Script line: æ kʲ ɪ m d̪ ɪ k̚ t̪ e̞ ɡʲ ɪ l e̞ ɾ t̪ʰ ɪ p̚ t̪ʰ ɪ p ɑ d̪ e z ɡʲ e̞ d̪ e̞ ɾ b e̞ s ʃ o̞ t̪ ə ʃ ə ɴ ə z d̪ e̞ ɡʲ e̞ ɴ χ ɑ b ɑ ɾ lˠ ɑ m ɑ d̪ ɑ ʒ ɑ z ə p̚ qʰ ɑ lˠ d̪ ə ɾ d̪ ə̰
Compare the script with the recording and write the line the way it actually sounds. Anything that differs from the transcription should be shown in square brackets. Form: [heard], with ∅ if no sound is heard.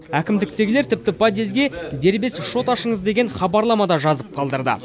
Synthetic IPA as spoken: æ kʲ ɪ m d̪ ɪ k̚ t̪ e̞ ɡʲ ɪ l e̞ ɾ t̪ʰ ɪ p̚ [t̪] ɪ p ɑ d̪ e z ɡʲ e̞ d̪ e̞ ɾ b e̞ s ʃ o̞ t̪ [ɑ] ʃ ə ɴ ə z d̪ e̞ ɡʲ e̞ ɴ χ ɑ b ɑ ɾ lˠ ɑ m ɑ d̪ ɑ ʒ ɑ z ə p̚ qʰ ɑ lˠ d̪ ə ɾ d̪ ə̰